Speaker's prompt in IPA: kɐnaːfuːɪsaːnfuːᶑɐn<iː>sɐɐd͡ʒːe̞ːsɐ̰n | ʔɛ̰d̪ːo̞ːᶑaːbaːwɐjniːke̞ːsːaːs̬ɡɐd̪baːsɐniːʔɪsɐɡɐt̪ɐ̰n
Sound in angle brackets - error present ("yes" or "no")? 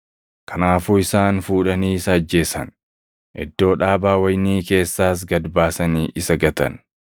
no